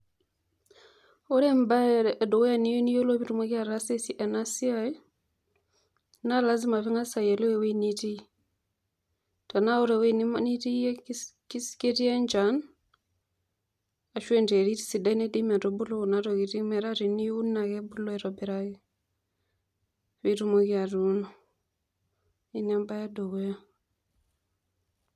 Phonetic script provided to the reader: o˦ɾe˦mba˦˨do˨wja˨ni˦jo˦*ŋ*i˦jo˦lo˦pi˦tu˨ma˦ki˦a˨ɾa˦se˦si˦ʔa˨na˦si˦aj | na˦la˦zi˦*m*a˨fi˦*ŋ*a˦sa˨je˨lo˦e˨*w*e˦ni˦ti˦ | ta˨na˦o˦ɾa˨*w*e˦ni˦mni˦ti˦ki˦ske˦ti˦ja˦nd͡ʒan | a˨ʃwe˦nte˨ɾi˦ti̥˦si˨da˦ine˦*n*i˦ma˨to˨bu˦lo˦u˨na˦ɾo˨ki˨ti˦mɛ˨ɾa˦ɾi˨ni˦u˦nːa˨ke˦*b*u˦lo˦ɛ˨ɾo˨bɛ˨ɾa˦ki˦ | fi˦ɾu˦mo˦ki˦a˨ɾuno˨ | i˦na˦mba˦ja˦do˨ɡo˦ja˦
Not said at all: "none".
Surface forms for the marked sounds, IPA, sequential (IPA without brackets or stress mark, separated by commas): n, m, ŋ, w, w, d, b